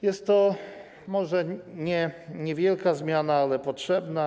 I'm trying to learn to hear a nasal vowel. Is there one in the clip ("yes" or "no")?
no